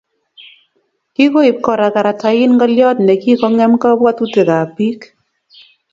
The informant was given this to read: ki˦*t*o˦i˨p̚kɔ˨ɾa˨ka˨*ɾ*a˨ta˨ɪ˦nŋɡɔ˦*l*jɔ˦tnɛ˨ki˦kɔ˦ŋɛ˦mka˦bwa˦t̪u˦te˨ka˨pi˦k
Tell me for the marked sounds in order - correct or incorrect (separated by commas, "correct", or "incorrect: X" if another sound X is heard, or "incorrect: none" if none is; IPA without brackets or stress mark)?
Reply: incorrect: k, correct, correct